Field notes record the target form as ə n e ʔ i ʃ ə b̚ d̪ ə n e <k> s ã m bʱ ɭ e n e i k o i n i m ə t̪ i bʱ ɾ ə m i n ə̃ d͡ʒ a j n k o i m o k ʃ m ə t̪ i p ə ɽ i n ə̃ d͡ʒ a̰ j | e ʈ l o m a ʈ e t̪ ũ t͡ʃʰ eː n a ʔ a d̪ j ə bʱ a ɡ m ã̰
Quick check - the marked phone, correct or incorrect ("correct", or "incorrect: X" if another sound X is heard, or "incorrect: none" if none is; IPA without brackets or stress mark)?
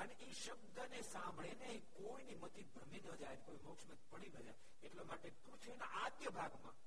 incorrect: none